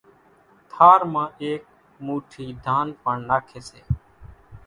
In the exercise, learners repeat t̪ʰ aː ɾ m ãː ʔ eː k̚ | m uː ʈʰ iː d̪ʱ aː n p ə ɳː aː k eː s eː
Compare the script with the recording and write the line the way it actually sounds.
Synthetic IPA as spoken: t̪ʰ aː ɾ m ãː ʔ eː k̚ | m uː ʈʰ iː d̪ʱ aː n p ə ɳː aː kʰ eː s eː